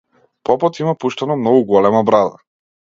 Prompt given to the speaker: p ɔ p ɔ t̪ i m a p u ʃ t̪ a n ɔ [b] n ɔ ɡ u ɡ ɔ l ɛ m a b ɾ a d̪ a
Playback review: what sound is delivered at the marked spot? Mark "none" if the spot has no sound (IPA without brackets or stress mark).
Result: m